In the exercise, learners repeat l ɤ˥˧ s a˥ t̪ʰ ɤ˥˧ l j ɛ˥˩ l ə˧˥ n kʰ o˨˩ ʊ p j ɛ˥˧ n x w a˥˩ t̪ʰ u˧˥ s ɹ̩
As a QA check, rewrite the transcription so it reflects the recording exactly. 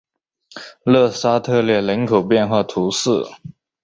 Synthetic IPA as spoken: l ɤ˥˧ s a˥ t̪ʰ ɤ˥˧ l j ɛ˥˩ l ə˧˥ n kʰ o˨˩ ʊ p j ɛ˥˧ n x w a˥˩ t̪ʰ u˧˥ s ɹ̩